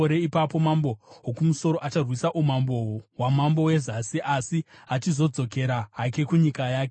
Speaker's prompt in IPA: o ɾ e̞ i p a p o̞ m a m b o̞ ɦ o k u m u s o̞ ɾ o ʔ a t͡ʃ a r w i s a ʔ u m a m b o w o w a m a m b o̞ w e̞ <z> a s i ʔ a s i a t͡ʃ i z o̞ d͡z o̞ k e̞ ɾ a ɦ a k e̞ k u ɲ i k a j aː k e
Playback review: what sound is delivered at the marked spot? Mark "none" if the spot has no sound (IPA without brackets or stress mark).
z